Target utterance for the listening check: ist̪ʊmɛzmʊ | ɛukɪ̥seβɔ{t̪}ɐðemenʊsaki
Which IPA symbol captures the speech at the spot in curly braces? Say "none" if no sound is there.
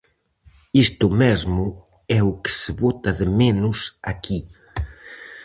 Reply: t̪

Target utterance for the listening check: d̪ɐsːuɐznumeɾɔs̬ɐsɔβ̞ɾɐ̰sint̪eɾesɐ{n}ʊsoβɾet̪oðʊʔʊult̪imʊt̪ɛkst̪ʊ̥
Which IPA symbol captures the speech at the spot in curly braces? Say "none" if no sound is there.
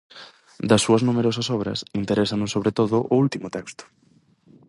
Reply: n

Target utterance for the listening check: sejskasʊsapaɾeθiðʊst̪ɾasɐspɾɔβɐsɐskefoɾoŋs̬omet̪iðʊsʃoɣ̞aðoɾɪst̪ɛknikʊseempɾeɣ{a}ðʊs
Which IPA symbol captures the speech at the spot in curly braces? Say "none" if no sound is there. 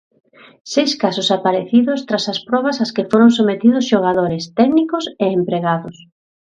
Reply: a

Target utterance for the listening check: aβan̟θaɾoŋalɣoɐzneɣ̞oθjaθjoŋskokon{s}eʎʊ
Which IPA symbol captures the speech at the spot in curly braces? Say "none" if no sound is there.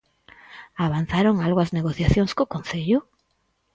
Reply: θ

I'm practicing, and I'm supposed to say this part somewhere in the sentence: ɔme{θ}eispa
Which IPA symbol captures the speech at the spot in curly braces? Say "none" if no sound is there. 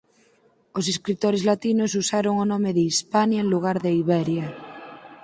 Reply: ð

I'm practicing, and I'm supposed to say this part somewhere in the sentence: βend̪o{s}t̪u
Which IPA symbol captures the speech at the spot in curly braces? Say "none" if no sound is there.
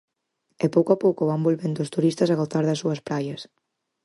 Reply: s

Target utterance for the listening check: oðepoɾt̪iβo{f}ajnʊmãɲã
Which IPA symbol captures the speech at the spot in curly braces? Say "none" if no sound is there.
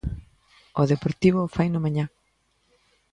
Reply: f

